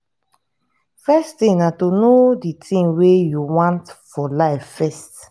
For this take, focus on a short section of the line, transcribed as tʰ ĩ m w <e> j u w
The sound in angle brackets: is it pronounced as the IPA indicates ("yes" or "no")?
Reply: yes